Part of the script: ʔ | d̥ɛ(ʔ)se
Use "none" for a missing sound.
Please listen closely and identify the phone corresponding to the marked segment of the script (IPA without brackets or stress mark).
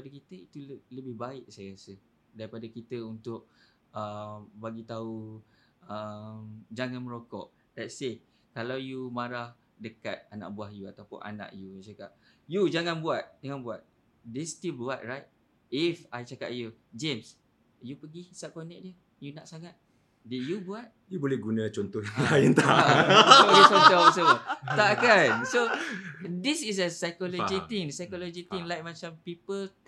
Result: t